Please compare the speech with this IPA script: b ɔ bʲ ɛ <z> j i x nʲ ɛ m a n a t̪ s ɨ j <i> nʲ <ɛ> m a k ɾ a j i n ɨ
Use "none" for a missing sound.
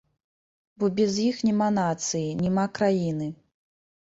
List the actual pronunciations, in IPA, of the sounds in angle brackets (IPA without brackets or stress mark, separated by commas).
z, i, ɛ